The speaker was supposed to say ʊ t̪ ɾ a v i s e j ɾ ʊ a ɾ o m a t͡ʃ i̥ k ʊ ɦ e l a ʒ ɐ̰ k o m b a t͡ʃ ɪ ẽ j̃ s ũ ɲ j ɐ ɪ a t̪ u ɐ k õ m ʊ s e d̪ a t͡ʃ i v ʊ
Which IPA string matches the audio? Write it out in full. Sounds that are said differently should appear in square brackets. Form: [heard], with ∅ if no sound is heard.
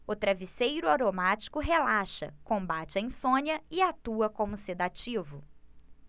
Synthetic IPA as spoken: ʊ t̪ ɾ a v i s e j ɾ ʊ a ɾ o m a t͡ʃ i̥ k ʊ ɦ e l a [ʃ] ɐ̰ k [õ] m b a t͡ʃ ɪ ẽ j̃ s [õ] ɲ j ɐ ɪ a t̪ u ɐ k õ m ʊ s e d̪ a t͡ʃ i v ʊ